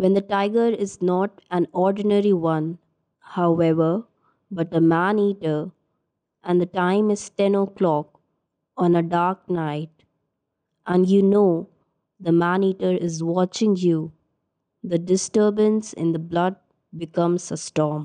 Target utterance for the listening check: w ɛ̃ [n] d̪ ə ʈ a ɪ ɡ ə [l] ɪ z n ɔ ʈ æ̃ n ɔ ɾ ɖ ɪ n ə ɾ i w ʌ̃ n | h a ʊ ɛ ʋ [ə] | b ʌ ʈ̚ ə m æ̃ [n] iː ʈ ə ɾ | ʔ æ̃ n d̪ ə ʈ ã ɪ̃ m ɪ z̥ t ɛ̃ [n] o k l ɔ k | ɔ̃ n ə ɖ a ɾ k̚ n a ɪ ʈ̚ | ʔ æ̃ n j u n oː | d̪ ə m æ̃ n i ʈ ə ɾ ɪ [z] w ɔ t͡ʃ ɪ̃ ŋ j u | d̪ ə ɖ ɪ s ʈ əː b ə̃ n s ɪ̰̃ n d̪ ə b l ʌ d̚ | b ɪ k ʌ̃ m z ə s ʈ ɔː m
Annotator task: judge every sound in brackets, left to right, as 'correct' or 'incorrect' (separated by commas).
correct, incorrect, correct, correct, correct, correct